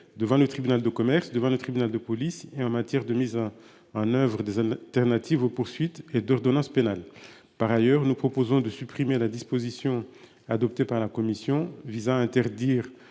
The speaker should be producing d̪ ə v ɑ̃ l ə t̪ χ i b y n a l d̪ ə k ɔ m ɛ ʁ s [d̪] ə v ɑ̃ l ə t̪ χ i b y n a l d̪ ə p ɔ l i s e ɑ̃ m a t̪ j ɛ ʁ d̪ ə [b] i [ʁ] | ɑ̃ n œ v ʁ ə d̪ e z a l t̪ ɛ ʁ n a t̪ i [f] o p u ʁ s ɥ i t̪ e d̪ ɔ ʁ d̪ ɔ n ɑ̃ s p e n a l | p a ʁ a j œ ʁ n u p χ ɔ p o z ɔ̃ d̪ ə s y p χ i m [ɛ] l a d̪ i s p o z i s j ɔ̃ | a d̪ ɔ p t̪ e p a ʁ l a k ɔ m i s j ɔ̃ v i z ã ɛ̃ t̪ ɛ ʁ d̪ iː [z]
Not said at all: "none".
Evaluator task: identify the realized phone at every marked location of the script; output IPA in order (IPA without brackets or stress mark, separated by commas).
d̪, m, z, v, e, ʁ